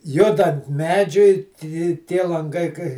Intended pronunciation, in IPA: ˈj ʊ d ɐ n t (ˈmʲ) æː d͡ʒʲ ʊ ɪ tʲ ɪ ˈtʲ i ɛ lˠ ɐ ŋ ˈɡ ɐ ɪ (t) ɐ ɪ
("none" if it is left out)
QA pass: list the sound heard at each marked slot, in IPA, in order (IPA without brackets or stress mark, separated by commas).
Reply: mʲ, k